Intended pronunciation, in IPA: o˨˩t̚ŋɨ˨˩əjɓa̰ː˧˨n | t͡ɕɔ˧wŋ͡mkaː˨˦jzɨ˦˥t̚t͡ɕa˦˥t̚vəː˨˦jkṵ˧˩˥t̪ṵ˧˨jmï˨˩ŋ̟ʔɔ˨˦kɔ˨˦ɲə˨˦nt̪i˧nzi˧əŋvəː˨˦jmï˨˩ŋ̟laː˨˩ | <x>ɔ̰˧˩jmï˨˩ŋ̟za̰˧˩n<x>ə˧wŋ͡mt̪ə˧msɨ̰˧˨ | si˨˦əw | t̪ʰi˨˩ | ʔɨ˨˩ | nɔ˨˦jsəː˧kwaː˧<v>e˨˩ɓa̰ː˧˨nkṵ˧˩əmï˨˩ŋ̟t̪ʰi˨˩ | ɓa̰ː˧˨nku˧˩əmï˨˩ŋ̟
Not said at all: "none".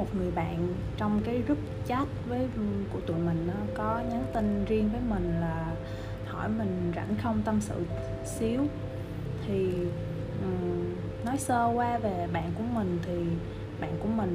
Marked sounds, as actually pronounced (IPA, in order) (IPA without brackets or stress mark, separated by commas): h, x, v